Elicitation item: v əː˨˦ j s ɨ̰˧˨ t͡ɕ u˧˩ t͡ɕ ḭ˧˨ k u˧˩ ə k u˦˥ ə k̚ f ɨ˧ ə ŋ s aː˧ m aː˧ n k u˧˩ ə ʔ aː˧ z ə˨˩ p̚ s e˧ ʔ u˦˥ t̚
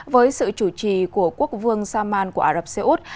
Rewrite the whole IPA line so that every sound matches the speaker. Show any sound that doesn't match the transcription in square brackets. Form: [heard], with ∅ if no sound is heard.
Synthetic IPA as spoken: v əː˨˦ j s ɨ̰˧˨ t͡ɕ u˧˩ t͡ɕ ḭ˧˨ k u˧˩ ə k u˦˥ ə k̚ [v] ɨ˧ ə ŋ s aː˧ m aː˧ n k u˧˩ ə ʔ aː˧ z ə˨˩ p̚ s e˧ ʔ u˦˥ t̚